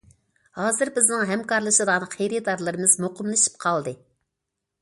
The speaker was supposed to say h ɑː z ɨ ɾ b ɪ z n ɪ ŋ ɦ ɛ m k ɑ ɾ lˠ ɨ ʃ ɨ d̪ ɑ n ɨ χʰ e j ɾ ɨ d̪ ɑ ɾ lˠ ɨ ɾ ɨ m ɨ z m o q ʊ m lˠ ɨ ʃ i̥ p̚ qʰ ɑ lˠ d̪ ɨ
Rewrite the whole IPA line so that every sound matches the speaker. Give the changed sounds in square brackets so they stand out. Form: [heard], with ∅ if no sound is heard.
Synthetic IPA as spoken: h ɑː z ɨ ɾ b ɪ z n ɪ ŋ ɦ ɛ m k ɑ ɾ lˠ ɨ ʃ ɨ d̪ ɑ n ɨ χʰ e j ɾ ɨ d̪ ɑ ɾ lˠ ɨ ɾ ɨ m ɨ z m o q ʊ m lˠ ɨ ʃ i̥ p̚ qʰ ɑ lˠ d̪ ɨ

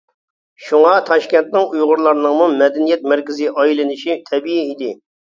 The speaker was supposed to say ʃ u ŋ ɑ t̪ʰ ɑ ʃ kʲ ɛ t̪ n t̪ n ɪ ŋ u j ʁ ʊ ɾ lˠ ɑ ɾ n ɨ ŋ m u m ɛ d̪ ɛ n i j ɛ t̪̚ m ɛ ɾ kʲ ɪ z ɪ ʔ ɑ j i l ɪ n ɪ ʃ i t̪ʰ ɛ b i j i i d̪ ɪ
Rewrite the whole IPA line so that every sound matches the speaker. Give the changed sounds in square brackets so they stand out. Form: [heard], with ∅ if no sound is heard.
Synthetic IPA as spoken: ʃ u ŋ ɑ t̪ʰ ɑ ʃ kʲ ɛ [∅] n t̪ n ɪ ŋ u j ʁ ʊ ɾ lˠ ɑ ɾ n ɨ ŋ m u m ɛ d̪ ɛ n i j ɛ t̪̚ m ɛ ɾ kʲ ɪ z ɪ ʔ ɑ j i l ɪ n ɪ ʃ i t̪ʰ ɛ b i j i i d̪ ɪ

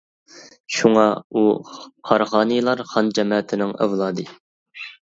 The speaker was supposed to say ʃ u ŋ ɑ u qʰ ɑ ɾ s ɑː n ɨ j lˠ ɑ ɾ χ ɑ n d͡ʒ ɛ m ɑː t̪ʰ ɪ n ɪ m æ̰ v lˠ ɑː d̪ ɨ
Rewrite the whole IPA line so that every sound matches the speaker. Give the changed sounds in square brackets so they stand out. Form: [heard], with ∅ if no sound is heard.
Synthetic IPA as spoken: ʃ u ŋ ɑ u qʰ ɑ ɾ [χ] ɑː n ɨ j lˠ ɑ ɾ χ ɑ n d͡ʒ ɛ m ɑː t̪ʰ ɪ n ɪ [ŋ] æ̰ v lˠ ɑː d̪ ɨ

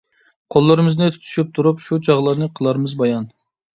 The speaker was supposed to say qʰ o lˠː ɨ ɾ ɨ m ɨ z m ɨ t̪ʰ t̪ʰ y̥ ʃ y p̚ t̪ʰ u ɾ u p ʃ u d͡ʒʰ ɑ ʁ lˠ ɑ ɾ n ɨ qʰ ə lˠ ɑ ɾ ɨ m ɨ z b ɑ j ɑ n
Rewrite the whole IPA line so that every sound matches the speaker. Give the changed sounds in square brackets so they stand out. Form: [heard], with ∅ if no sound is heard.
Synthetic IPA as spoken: qʰ o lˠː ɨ ɾ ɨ m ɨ z [n] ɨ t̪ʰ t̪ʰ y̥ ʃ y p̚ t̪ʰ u ɾ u p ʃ u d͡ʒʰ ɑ ʁ lˠ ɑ ɾ n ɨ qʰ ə lˠ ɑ ɾ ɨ m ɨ z b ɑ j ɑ n

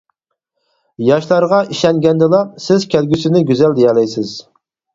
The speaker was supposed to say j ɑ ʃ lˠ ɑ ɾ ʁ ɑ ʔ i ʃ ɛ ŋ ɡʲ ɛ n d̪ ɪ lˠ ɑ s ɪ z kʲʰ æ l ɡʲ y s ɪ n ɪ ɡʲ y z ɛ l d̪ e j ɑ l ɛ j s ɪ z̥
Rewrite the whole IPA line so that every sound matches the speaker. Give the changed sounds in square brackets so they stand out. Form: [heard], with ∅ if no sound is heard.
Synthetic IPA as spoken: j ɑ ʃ lˠ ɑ ɾ ʁ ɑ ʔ i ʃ ɛ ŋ ɡʲ ɛ n d̪ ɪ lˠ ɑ s ɪ z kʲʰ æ l ɡʲ y s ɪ n ɪ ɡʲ y z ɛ l d̪ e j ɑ l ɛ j s ɪ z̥

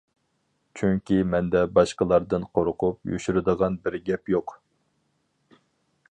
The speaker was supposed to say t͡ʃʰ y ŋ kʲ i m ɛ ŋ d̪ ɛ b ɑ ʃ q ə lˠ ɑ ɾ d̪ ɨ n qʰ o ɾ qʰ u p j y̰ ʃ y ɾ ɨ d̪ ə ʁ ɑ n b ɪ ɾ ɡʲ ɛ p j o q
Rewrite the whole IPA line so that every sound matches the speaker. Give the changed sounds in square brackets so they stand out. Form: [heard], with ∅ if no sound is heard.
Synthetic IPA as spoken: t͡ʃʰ y ŋ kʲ i m ɛ [n] d̪ ɛ b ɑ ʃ q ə lˠ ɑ ɾ d̪ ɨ n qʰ o ɾ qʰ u p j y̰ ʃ y ɾ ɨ d̪ ə ʁ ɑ n b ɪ ɾ ɡʲ ɛ p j o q

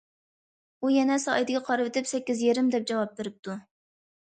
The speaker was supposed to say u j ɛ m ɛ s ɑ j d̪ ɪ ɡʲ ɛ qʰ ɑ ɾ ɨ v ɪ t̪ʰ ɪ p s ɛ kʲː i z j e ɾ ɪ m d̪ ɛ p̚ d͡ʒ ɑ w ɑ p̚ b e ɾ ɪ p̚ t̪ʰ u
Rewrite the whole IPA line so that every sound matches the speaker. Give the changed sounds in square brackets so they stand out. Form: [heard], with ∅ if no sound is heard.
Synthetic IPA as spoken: u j ɛ [n] ɛ s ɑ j d̪ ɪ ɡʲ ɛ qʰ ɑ ɾ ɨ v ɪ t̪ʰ ɪ p s ɛ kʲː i z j e ɾ ɪ m d̪ ɛ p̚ d͡ʒ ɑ w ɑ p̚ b e ɾ ɪ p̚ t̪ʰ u

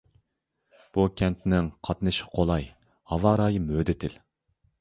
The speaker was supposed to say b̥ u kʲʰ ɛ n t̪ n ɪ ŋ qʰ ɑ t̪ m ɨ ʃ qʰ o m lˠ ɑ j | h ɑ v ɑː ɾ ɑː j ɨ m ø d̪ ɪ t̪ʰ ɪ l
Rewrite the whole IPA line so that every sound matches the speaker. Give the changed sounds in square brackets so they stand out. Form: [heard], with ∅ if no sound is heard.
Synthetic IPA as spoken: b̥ u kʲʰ ɛ n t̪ n ɪ ŋ qʰ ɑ t̪ [n] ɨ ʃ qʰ o [∅] lˠ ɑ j | h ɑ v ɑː ɾ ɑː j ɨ m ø d̪ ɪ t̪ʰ ɪ l

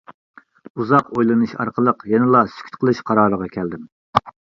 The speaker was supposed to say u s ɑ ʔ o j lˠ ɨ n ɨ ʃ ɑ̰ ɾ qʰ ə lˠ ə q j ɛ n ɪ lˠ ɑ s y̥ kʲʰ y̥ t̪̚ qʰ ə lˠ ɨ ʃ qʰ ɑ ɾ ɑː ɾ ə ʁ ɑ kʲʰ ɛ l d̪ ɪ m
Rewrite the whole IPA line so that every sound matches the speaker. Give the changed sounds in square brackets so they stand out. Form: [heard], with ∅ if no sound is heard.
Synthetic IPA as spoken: u [z] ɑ [q] o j lˠ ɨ n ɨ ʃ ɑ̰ ɾ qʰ ə lˠ ə q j ɛ n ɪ lˠ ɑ s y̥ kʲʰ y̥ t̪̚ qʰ ə lˠ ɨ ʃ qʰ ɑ ɾ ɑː ɾ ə ʁ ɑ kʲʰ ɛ l d̪ ɪ m

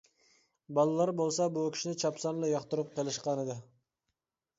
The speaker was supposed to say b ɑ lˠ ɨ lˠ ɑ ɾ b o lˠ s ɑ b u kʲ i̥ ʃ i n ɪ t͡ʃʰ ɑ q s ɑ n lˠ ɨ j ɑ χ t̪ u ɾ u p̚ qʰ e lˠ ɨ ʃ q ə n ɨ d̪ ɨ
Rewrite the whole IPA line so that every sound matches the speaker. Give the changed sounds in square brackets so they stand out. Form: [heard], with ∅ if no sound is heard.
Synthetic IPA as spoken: b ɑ lˠ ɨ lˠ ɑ ɾ b o lˠ s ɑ b u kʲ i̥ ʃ i n ɪ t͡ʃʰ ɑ [p] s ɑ n lˠ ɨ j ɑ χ t̪ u ɾ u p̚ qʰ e lˠ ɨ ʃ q [ɑ] n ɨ d̪ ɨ

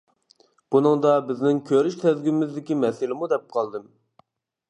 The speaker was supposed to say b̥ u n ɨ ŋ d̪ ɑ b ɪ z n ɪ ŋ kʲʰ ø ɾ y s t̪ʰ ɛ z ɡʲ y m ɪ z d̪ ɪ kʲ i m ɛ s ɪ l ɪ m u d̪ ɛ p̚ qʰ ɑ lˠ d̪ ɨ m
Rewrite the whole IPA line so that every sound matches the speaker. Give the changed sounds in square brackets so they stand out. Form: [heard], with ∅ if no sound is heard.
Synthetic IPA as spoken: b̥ u n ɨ ŋ d̪ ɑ b ɪ z n ɪ ŋ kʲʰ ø ɾ y [ʃ] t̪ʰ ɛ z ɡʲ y m ɪ z d̪ ɪ kʲ i m ɛ s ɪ l ɪ m u d̪ ɛ p̚ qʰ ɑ lˠ d̪ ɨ m

